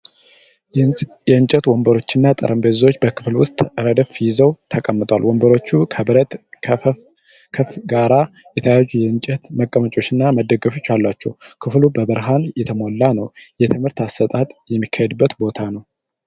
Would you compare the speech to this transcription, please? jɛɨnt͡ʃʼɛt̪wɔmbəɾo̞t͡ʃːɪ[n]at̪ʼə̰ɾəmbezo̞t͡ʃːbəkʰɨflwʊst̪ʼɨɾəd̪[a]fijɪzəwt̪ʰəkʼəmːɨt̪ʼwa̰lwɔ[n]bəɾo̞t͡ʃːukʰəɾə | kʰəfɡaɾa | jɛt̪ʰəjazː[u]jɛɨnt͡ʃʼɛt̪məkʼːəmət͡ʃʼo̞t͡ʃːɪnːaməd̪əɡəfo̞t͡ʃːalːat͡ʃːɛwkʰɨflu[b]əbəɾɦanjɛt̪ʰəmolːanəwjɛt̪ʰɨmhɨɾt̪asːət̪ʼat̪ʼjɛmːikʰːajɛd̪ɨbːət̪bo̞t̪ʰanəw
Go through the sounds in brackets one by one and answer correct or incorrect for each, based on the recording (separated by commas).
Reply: incorrect, incorrect, incorrect, correct, correct